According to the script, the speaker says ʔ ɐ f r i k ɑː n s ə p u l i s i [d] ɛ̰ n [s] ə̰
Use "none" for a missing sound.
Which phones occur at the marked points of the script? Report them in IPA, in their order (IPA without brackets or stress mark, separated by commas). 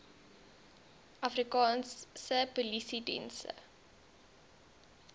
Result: d, s